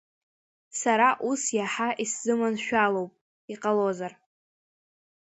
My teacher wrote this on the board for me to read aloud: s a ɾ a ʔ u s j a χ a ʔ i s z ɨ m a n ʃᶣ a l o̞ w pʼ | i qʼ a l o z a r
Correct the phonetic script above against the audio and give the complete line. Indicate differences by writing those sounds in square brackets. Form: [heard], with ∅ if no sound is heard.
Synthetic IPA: s a ɾ a ʔ u s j a [ħ] a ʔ i s z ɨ m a n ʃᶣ a l o̞ w pʼ | i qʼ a l o z a r